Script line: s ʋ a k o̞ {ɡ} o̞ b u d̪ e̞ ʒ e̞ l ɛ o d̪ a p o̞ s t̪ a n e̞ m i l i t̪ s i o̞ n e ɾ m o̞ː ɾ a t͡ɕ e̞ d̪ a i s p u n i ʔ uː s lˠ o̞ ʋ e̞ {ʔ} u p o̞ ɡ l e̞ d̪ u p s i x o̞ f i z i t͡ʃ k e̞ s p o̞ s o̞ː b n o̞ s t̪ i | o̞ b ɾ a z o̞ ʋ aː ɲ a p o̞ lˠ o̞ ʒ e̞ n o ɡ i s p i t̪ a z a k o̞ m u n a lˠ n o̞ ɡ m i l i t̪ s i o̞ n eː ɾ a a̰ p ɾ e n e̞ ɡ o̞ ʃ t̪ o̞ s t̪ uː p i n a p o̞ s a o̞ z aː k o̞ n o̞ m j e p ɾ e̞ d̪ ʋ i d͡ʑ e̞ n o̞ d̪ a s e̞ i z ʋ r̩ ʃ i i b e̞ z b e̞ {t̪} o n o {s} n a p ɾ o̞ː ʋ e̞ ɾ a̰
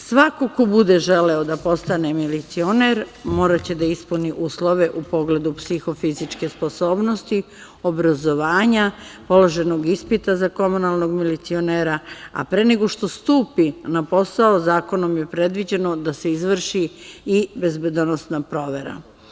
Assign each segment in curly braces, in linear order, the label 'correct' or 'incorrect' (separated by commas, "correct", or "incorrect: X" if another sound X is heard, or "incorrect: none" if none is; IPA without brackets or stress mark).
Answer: incorrect: k, correct, incorrect: d̪, correct